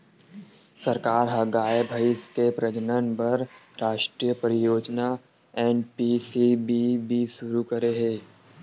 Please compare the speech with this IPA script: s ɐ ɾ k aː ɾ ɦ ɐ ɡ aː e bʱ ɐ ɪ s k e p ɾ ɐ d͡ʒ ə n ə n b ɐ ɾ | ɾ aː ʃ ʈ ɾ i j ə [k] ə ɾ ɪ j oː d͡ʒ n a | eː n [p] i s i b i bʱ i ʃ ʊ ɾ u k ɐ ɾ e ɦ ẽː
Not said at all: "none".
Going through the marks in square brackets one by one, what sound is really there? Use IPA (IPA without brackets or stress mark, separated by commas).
p, p